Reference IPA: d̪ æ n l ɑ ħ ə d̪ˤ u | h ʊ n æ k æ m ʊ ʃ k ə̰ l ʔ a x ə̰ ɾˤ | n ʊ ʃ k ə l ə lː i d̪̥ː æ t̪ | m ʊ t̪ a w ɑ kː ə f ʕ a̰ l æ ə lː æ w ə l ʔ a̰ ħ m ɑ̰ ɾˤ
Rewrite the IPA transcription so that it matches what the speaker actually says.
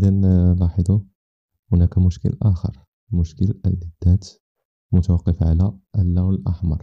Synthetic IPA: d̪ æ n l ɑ ħ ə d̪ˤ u | h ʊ n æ k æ m ʊ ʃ k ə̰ l ʔ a x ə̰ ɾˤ | m ʊ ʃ k ə l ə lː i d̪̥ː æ t̪ | m ʊ t̪ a w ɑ qː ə f ʕ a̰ l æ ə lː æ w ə l ʔ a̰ ħ m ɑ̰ ɾˤ

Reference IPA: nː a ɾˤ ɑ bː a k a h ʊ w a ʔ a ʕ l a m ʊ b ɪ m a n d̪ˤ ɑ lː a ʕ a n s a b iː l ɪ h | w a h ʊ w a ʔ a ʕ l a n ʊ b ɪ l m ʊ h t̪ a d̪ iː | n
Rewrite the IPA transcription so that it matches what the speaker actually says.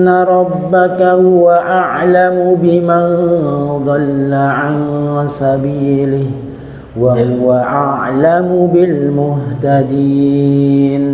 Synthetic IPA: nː a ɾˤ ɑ bː a k a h ʊ w a ʔ a ʕ l a m ʊ b ɪ m a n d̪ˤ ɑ lː a ʕ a n s a b iː l ɪ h | w a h ʊ w a ʔ a ʕ l a m ʊ b ɪ l m ʊ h t̪ a d̪ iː | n

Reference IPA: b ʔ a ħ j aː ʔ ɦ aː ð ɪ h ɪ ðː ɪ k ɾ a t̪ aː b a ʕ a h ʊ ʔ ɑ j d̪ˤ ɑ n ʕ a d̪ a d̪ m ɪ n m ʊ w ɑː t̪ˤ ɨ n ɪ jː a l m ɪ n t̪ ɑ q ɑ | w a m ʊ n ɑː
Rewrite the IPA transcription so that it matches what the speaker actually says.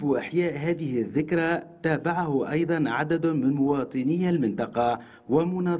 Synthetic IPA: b ʔ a ħ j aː ʔ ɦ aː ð ɪ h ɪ ðː ɪ k ɾ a t̪ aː b a ʕ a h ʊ ʔ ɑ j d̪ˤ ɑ n ʕ a d̪ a d̪ m ɪ n m ʊ w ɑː t̪ˤ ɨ n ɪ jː a l m ɪ n t̪ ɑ q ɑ | w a m ʊ n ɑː

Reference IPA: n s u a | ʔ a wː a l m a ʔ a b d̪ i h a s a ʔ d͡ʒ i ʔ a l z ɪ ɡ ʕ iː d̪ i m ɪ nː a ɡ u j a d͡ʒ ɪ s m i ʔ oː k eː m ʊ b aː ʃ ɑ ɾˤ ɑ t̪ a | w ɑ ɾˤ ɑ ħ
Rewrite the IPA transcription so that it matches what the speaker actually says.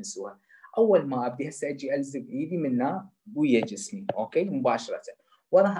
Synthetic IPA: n s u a | ʔ a wː a l m a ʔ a b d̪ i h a s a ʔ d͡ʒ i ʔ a l z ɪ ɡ ʕ iː d̪ i m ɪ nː a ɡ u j a d͡ʒ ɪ s m i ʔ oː k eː m ʊ b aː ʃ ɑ ɾˤ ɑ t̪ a | w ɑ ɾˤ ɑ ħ

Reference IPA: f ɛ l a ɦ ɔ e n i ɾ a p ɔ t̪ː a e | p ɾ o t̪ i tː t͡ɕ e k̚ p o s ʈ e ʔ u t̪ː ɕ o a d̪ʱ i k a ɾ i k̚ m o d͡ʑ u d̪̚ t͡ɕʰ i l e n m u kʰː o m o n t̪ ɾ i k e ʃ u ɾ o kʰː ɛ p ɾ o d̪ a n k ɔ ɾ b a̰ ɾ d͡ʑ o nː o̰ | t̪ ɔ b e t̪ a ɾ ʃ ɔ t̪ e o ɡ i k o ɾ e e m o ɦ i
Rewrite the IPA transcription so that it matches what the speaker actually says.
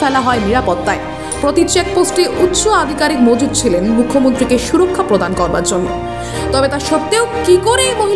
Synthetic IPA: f ɛ l a ɦ ɔ e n i ɾ a p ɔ t̪ː a e | p ɾ o t̪ i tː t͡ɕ e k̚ p o s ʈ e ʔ u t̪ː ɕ o a d̪ʱ i k a ɾ i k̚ m o d͡ʑ u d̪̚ t͡ɕʰ i l e n m u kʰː o m o n t̪ ɾ i k e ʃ u ɾ o kʰː a p ɾ o d̪ a n k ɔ ɾ b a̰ ɾ d͡ʑ o nː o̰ | t̪ ɔ b e t̪ a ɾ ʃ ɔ t̪ e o k i k o ɾ e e m o ɦ i

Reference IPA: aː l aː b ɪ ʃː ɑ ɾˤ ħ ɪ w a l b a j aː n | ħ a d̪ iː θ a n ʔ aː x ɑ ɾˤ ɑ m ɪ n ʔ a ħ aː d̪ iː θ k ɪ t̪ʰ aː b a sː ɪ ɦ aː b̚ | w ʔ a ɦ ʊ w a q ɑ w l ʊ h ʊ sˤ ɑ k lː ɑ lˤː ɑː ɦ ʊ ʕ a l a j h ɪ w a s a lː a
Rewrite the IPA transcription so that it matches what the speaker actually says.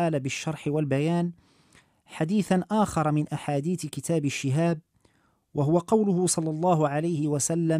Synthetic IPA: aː l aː b ɪ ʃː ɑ ɾˤ ħ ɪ w a l b a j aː n | ħ a d̪ iː θ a n ʔ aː x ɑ ɾˤ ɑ m ɪ n ʔ a ħ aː d̪ iː θ k ɪ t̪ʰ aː b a ʃː ɪ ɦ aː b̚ | w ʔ a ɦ ʊ w a q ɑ w l ʊ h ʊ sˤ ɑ lː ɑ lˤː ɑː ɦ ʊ ʕ a l a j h ɪ w a s a lː a

